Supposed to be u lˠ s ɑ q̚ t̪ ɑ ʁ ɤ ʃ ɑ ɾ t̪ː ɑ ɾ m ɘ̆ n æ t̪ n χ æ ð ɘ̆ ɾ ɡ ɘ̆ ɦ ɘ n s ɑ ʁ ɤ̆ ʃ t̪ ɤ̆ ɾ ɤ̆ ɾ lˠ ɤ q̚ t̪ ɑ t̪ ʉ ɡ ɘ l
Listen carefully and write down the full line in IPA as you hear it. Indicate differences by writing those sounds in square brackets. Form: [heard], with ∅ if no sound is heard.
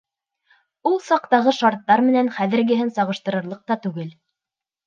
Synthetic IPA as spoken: u lˠ s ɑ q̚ t̪ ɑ ʁ ɤ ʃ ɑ ɾ t̪ː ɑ ɾ m ɘ̆ n æ [∅] n χ æ ð ɘ̆ ɾ ɡ ɘ̆ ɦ ɘ n s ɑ ʁ ɤ̆ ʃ t̪ ɤ̆ ɾ ɤ̆ ɾ lˠ ɤ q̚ t̪ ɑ t̪ ʉ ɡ ɘ l